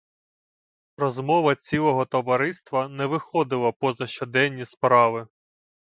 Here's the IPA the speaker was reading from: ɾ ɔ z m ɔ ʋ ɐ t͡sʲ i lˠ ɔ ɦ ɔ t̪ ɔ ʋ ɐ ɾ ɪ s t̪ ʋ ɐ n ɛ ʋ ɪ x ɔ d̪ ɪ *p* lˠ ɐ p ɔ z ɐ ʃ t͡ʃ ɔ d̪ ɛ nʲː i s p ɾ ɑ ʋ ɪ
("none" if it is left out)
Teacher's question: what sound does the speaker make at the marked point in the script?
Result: none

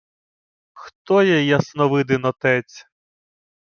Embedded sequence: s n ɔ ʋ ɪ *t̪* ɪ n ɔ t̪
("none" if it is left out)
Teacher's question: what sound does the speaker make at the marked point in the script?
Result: d̪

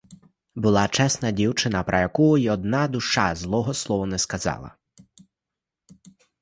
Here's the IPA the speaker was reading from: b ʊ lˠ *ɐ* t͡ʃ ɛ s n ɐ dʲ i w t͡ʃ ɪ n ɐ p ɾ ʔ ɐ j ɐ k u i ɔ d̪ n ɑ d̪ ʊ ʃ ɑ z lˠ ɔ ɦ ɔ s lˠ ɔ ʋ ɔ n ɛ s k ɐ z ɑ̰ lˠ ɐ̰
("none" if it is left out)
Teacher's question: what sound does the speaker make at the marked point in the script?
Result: ɑ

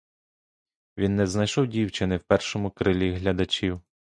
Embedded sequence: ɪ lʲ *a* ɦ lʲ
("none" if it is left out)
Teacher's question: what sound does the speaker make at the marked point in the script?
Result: i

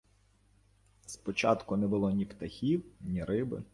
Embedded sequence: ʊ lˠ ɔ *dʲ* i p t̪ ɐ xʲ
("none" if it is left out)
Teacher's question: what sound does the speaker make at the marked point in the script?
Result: nʲ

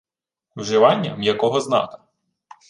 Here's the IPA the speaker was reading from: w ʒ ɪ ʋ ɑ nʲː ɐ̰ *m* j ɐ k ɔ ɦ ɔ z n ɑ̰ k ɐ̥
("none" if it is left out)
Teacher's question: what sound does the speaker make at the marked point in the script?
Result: m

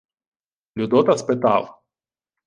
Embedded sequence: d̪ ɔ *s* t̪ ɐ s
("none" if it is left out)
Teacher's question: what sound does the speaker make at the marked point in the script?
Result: none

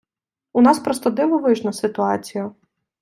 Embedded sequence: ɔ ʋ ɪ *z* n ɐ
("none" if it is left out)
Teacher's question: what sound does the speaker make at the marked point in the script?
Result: ʒ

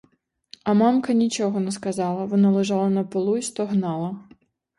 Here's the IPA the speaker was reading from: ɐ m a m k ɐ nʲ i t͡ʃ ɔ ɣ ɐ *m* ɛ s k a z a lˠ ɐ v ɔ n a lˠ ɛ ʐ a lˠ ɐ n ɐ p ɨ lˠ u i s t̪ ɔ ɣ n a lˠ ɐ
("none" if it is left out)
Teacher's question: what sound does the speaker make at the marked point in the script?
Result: n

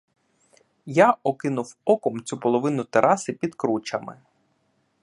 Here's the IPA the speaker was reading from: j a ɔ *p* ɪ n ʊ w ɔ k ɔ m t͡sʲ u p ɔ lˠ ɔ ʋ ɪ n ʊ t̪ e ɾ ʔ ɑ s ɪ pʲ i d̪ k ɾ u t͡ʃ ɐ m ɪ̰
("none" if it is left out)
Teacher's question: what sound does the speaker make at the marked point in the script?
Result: k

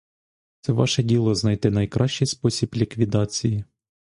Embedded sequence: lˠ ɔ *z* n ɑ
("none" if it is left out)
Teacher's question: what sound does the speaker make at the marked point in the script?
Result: z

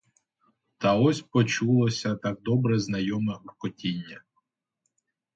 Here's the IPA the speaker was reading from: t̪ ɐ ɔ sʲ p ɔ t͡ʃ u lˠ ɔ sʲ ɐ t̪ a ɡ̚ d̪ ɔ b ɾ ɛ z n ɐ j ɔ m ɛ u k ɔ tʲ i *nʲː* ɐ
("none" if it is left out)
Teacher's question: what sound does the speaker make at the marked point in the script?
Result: nʲː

